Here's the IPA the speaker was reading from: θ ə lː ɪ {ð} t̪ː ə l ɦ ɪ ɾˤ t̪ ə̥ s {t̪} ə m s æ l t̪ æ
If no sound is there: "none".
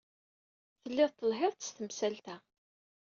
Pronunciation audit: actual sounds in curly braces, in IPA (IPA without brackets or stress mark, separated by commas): ð, t̪